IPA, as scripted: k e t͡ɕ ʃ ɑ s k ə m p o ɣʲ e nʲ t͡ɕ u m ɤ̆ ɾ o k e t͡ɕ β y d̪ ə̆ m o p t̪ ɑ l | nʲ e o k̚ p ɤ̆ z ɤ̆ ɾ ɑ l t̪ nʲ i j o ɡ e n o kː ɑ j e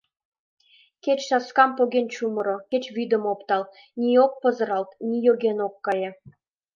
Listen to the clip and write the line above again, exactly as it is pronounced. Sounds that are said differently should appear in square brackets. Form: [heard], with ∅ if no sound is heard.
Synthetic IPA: k e t͡ɕ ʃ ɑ s k [ɑ] m p o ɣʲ e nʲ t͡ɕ u m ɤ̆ ɾ o k e t͡ɕ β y d̪ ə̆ m o p t̪ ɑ l | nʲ [i] o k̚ p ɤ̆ z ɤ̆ ɾ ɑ l t̪ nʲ i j o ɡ e n o kː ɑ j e